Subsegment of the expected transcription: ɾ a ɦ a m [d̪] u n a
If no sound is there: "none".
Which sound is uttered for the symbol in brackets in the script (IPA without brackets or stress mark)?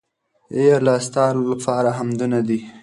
d̪